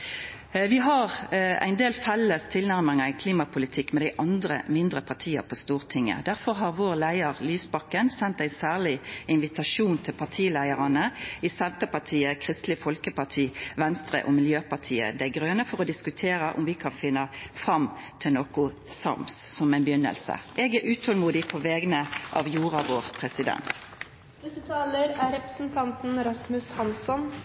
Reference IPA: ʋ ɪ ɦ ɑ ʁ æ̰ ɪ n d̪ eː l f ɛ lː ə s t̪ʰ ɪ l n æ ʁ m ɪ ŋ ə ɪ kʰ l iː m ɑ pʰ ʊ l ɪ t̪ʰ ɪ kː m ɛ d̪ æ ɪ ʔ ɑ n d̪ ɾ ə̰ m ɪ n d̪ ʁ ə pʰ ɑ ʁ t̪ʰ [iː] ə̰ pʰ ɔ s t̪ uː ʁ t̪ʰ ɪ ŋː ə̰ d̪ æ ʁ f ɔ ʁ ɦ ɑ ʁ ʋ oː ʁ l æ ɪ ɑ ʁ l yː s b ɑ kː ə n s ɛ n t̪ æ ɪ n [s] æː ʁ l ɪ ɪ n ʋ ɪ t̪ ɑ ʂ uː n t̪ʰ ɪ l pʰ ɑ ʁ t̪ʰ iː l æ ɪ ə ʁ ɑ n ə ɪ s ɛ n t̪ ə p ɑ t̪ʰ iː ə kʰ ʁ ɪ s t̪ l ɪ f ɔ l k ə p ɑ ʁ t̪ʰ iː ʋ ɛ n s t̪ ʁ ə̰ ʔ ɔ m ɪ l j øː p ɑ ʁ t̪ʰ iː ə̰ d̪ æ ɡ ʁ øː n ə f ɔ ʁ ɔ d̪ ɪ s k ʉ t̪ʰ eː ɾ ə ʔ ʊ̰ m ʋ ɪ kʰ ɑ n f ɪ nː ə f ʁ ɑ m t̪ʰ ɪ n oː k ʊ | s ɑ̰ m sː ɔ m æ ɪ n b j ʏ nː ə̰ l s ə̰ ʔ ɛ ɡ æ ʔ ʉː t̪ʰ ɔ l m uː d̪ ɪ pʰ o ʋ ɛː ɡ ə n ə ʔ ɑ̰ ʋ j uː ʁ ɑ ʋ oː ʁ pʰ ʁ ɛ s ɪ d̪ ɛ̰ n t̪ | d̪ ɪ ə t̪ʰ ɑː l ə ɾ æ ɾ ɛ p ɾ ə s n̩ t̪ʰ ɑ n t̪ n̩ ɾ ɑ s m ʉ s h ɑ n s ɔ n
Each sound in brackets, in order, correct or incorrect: correct, correct

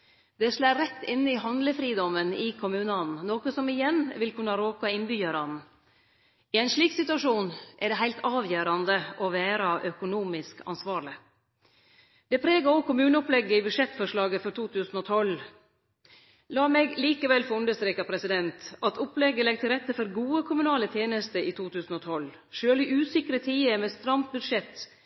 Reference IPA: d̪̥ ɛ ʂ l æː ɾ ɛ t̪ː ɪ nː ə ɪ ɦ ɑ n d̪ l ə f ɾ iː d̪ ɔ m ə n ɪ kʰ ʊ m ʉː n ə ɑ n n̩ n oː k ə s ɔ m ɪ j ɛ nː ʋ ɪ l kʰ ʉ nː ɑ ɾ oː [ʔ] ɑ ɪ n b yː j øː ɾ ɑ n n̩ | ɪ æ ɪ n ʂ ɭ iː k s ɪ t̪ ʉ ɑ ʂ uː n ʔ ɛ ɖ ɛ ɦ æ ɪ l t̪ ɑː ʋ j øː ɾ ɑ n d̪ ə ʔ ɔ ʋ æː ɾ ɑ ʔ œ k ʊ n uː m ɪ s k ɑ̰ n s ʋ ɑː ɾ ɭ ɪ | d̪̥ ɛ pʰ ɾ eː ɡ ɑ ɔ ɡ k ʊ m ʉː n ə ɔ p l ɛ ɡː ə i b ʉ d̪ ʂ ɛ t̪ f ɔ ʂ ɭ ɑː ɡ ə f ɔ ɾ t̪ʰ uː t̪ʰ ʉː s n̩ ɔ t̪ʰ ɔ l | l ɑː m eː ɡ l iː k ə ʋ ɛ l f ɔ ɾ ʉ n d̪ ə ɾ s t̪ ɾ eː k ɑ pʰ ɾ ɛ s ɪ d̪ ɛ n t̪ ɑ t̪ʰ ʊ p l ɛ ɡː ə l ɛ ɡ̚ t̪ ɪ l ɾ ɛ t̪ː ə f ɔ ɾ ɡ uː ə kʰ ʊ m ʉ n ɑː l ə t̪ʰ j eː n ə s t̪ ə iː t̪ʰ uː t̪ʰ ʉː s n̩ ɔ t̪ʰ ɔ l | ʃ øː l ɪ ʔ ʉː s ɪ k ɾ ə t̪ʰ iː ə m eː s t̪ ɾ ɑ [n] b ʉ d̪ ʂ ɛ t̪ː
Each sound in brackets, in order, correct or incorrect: incorrect: k, incorrect: m

